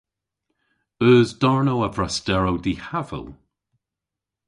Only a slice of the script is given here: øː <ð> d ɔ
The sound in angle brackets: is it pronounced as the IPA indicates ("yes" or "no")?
no